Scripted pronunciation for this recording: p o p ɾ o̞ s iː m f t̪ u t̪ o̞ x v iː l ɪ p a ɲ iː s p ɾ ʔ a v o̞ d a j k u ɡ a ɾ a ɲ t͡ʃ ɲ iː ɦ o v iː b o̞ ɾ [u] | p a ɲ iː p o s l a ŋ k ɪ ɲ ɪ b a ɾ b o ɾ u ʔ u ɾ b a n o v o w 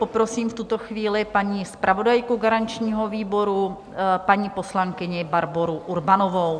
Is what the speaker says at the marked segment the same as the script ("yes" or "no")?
yes